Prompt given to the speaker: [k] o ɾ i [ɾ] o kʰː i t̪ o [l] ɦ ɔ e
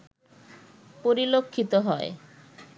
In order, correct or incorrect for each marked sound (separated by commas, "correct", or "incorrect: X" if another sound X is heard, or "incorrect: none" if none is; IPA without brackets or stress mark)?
incorrect: p, incorrect: l, incorrect: none